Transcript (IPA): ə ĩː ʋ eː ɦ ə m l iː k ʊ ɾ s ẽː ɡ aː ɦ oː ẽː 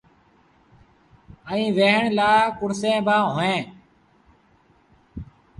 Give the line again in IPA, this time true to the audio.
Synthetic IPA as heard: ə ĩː ʋ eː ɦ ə ɳ l aː k ʊ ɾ s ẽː b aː ɦ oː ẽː